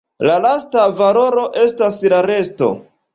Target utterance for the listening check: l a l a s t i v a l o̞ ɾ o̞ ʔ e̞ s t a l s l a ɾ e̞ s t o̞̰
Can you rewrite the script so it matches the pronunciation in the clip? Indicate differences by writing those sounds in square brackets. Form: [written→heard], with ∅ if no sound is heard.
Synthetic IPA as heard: l a l a s t [i→a] v a l o̞ ɾ o̞ ʔ e̞ s t a [l→∅] s l a ɾ e̞ s t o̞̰